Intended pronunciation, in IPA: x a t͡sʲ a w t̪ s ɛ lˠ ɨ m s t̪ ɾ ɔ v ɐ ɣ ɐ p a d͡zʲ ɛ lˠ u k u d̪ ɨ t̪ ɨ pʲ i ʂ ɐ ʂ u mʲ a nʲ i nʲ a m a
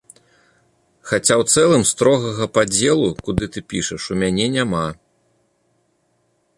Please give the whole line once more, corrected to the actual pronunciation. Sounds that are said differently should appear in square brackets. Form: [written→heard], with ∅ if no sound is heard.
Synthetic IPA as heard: x a t͡sʲ a w t̪ s ɛ lˠ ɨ m s t̪ ɾ ɔ [v→ɣ] ɐ ɣ ɐ p a d͡zʲ ɛ lˠ u k u d̪ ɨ t̪ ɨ pʲ i ʂ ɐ ʂ u mʲ a nʲ [i→ɛ] nʲ a m a